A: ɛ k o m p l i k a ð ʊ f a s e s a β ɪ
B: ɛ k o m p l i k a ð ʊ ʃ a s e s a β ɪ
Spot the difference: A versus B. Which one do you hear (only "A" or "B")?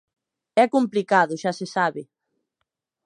B